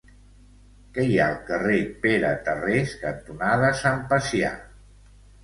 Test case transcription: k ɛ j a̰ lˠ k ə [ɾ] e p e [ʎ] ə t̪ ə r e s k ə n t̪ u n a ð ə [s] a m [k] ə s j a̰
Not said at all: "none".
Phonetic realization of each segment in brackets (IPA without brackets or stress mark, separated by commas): r, ɾ, s, p